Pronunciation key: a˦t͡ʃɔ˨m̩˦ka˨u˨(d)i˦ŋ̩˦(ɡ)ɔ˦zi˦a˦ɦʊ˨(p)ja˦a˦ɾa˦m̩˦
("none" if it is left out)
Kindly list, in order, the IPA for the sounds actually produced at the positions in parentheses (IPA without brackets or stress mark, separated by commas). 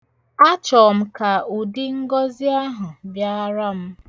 d, ɡ, b